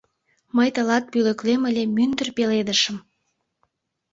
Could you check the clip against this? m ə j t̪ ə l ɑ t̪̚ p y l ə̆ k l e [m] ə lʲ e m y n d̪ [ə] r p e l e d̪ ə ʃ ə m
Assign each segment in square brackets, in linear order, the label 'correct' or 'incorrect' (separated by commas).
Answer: correct, correct